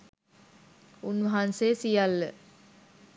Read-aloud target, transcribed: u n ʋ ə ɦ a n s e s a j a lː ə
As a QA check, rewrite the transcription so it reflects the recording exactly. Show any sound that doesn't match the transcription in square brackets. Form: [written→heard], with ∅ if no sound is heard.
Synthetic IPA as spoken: u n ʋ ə ɦ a n s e s [a→i] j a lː ə